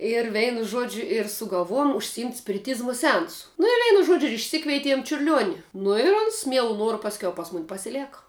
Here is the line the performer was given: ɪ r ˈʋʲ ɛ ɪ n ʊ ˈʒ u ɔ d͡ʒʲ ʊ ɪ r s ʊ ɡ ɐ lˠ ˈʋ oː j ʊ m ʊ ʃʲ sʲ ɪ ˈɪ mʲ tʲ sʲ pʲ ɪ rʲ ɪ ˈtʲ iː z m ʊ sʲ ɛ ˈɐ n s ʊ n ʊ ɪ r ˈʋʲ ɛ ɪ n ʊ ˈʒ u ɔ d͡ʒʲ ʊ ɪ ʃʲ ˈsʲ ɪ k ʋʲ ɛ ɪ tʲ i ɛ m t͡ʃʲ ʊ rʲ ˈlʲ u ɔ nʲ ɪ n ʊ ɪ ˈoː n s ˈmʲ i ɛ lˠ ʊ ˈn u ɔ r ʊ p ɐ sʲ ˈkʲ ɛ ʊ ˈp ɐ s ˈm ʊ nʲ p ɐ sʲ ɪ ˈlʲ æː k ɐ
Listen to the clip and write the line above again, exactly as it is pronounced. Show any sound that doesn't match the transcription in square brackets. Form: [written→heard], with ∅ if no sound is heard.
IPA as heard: ɪ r ˈʋʲ ɛ ɪ n ʊ ˈʒ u ɔ d͡ʒʲ ʊ ɪ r s ʊ ɡ ɐ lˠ ˈʋ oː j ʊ m ʊ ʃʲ sʲ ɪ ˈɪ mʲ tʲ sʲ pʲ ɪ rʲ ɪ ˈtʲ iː z m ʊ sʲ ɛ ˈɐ n s ʊ n ʊ ɪ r ˈʋʲ ɛ ɪ n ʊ ˈʒ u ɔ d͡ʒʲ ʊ ɪ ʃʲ ˈsʲ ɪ k ʋʲ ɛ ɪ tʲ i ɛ m t͡ʃʲ ʊ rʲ ˈlʲ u ɔ nʲ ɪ n ʊ ɪ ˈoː n s ˈmʲ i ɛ lˠ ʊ ˈn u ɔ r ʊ p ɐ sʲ ˈkʲ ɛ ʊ ˈp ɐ s ˈm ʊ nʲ p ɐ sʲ ɪ ˈlʲ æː k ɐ